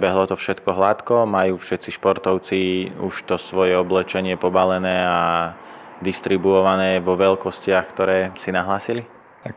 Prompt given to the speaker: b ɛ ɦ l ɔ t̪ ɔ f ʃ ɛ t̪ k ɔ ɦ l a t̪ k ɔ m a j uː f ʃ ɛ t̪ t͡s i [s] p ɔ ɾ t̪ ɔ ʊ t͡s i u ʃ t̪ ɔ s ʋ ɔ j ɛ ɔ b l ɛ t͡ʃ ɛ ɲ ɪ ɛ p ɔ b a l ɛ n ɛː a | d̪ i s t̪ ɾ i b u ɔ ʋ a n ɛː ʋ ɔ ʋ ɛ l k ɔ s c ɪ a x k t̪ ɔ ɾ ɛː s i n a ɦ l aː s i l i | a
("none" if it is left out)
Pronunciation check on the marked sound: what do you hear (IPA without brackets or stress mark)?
ʃ